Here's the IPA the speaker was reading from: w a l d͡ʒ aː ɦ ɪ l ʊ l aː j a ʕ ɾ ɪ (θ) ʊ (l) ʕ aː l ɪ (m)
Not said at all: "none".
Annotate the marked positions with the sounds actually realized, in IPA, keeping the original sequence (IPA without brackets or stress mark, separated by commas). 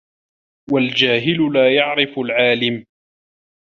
f, l, m